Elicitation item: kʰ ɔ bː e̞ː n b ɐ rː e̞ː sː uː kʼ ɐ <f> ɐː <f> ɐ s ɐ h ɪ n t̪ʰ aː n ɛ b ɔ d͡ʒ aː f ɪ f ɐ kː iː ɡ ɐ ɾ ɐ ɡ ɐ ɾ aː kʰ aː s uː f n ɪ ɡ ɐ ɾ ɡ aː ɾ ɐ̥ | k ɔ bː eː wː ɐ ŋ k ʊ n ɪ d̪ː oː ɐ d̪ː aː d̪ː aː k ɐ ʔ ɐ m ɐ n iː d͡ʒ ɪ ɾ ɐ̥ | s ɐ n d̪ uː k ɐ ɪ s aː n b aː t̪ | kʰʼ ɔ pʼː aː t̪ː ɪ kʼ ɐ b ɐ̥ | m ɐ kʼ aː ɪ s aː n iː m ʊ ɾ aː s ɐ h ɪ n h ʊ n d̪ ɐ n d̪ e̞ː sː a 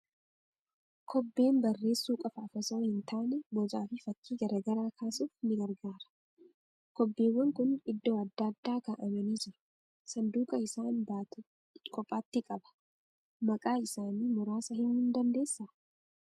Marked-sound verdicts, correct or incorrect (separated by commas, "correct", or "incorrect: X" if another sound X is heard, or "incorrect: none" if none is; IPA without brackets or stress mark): correct, correct